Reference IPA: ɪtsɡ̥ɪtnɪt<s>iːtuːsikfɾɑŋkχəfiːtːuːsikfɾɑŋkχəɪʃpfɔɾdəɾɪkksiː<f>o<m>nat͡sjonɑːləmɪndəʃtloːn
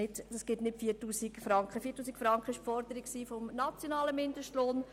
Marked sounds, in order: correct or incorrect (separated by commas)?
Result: incorrect, correct, correct